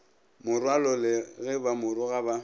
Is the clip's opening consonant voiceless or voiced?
voiced